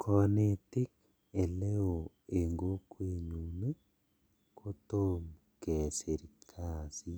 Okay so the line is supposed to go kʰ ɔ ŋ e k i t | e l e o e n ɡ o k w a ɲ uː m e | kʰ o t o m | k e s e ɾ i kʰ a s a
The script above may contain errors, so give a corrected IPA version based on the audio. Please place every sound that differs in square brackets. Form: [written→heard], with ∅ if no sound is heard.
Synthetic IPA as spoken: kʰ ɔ [ŋ→n] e [k→t] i [t→k] | e l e o e [n→ŋ] ɡ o k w [a→e] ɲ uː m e | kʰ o t o m | k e s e ɾ i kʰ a s [a→i]